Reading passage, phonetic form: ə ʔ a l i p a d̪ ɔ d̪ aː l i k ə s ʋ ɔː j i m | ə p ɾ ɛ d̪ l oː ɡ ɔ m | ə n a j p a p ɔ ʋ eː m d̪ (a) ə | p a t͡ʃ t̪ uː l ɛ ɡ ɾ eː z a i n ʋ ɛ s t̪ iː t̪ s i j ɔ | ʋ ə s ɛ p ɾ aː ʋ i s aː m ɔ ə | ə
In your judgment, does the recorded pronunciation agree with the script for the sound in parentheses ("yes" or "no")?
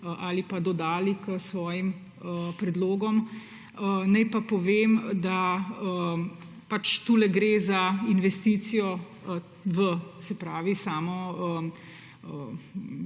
yes